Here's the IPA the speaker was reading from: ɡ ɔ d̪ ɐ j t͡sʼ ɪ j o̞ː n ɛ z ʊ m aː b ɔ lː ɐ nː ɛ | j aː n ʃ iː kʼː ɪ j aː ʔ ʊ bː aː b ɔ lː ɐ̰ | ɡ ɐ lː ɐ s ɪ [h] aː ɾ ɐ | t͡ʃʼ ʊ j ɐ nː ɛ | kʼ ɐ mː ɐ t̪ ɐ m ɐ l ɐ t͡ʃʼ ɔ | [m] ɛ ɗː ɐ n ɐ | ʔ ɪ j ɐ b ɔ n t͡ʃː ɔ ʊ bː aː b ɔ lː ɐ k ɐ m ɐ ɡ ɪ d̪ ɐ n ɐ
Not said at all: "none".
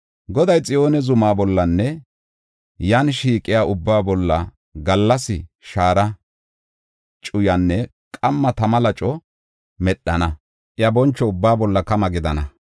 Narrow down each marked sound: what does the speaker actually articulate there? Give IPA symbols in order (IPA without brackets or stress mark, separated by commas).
ʃ, m